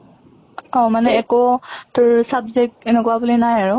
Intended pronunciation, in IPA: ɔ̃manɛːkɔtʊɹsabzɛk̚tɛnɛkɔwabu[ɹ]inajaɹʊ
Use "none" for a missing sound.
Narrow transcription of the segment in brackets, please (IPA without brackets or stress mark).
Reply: l